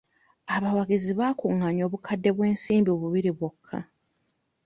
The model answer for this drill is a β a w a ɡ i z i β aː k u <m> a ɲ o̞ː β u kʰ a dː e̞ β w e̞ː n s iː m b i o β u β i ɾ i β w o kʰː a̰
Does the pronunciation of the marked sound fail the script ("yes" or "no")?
yes